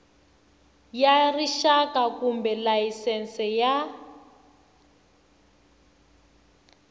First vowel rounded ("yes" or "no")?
no